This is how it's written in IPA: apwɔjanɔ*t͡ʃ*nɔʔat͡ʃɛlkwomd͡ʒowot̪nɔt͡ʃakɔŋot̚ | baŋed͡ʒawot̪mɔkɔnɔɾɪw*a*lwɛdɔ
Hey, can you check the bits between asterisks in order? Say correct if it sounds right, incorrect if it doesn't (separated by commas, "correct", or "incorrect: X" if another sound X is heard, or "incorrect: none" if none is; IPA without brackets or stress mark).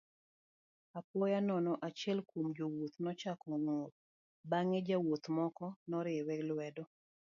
incorrect: none, incorrect: ɛ